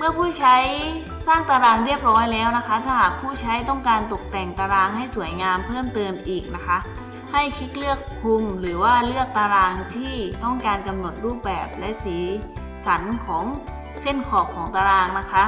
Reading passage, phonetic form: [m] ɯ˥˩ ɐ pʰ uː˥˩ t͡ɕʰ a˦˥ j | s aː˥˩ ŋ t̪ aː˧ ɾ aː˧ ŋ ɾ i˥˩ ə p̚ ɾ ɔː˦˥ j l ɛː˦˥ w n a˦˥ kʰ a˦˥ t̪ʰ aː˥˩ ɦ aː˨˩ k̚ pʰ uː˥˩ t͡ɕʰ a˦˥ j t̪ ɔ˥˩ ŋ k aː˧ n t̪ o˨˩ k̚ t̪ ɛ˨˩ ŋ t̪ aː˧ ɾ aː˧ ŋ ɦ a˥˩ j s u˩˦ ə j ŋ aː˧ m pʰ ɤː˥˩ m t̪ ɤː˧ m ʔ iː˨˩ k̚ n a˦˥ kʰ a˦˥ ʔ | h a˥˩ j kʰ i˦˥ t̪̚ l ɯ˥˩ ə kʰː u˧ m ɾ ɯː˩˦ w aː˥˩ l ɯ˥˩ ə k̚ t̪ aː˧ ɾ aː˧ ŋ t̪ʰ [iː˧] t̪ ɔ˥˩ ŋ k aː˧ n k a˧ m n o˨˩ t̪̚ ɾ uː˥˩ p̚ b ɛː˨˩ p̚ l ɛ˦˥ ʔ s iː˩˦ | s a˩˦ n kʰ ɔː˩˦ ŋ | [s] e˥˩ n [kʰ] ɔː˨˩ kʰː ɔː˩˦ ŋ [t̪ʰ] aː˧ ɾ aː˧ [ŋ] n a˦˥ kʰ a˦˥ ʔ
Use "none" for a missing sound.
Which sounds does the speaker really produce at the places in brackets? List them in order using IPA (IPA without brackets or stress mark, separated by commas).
m, iː˥˩, s, kʰ, t̪, ŋ